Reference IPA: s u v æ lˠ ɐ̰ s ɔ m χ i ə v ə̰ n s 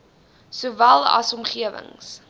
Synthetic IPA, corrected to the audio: s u v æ lˠ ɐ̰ s ɔ m χ i ə v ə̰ ŋ s